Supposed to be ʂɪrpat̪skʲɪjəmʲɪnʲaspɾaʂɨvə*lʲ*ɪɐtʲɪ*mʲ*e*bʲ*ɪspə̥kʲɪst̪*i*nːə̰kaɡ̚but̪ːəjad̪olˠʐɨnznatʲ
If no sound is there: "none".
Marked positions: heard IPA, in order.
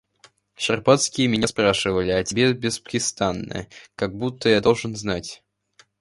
lʲ, bʲ, bʲ, a

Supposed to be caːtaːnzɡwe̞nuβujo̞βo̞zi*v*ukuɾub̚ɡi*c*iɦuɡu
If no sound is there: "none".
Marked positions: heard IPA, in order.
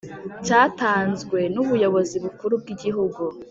β, ɟ

